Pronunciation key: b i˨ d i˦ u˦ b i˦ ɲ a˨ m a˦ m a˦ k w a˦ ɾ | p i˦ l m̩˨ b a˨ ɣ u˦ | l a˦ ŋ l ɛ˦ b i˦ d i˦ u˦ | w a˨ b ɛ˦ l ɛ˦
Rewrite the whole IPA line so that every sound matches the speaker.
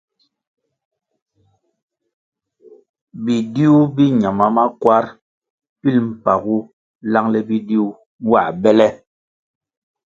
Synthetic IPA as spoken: b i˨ d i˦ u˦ b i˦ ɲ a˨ m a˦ m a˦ k w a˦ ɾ | p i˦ l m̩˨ p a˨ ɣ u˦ | l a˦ ŋ l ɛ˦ b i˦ d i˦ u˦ | w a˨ b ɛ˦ l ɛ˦